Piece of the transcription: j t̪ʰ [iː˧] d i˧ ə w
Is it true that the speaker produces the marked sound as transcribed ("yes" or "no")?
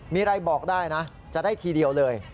yes